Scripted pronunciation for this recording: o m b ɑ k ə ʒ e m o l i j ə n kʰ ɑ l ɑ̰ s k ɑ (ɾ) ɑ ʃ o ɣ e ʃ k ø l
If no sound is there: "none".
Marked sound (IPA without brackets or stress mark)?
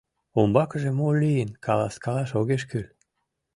l